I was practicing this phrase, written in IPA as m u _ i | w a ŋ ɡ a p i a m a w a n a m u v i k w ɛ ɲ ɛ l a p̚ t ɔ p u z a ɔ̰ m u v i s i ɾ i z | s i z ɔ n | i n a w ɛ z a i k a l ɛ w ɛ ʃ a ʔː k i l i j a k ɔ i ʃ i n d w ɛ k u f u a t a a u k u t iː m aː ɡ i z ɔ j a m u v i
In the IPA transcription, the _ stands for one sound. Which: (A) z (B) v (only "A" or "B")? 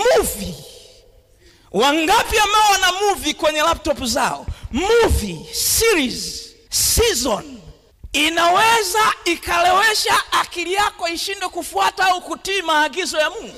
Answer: B